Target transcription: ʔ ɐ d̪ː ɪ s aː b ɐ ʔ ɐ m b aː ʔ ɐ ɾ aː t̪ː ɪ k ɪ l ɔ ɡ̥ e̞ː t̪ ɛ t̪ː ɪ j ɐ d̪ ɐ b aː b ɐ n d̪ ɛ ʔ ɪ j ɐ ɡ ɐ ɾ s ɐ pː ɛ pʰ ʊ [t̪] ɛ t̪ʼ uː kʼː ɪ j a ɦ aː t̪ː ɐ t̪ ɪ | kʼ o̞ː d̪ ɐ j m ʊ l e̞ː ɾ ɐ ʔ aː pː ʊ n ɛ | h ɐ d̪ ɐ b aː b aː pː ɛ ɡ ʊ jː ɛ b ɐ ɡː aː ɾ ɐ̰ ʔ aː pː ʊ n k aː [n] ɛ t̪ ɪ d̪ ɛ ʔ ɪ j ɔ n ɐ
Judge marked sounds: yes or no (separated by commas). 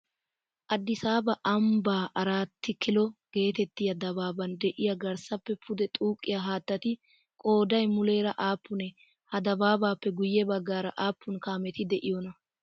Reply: no, no